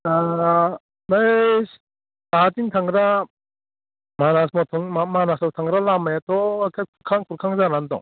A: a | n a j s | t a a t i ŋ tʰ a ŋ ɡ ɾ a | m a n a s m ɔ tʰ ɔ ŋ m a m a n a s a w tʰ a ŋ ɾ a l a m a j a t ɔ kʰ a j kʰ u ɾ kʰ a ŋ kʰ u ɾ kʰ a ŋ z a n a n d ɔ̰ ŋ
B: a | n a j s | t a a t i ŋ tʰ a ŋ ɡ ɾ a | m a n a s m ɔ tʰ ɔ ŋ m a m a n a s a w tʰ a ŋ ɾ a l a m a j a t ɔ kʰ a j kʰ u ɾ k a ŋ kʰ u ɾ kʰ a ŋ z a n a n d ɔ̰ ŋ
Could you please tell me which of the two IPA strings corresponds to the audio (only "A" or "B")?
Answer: A